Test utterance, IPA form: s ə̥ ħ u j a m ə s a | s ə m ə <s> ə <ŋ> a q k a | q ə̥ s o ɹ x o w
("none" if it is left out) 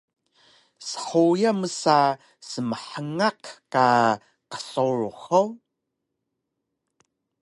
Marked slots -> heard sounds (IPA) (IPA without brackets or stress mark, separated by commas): ħ, ŋ